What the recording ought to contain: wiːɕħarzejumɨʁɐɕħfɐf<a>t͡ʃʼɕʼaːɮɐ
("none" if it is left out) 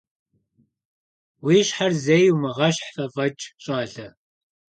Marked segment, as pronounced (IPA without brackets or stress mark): ɐ